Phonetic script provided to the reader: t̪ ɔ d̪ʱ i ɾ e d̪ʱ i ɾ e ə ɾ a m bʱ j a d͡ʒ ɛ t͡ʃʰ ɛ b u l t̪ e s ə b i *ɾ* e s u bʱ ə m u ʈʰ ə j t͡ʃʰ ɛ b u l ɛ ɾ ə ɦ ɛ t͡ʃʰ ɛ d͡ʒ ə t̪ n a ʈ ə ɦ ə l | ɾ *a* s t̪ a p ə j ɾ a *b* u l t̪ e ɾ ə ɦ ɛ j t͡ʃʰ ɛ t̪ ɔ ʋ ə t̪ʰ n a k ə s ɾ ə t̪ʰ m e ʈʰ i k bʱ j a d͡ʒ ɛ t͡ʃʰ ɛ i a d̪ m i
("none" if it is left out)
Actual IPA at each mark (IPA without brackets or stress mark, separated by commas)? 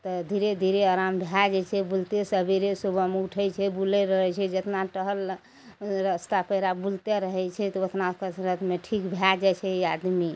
ɾ, ə, b